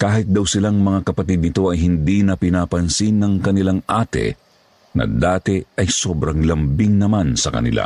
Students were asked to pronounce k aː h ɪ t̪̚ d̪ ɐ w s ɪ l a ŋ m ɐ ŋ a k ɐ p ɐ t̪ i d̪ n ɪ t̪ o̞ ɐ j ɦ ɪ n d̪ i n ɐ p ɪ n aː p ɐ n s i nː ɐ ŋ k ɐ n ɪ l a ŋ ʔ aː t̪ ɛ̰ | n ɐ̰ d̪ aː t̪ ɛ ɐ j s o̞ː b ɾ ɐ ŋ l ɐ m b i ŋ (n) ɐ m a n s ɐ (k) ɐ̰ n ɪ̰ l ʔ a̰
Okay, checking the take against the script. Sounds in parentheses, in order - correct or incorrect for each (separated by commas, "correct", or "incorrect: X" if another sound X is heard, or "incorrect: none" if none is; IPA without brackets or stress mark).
correct, correct